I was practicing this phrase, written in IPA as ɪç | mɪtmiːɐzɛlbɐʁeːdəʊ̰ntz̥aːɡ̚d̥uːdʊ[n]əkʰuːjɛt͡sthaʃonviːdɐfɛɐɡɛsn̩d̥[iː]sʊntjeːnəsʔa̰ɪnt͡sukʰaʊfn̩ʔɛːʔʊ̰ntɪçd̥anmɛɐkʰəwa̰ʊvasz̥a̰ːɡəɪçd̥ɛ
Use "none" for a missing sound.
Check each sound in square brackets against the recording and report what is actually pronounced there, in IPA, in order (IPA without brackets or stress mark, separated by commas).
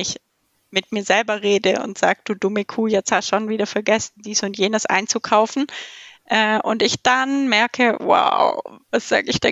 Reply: m, iː